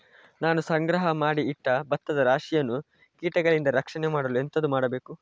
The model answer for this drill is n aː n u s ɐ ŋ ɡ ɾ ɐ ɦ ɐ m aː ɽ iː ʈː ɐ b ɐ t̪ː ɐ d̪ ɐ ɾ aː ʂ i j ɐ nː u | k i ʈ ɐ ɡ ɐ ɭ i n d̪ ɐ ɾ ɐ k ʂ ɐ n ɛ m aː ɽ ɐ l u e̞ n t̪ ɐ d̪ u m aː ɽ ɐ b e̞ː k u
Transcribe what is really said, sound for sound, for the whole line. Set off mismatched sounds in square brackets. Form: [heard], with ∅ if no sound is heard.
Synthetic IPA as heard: n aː n u s ɐ ŋ ɡ ɾ ɐ ɦ ɐ m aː ɽ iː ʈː ɐ b ɐ t̪ː ɐ d̪ ɐ ɾ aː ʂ i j ɐ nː u | k [iː] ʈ ɐ ɡ ɐ ɭ i n d̪ ɐ ɾ ɐ k ʂ ɐ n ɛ m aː ɽ ɐ l u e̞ n t̪ ɐ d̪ u m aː ɽ ɐ b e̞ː k u